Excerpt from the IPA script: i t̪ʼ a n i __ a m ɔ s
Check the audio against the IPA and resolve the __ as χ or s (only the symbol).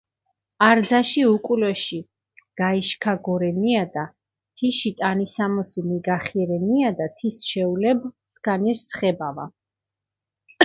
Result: s